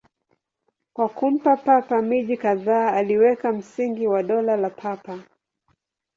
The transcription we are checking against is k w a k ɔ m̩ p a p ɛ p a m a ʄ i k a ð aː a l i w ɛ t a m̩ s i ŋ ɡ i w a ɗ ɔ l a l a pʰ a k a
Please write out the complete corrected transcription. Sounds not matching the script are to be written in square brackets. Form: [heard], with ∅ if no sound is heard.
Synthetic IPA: k w a k [u] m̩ p a p [a] p a m [i] ʄ i k a ð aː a l i w ɛ [k] a m̩ s i ŋ ɡ i w a ɗ ɔ l a l a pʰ a [p] a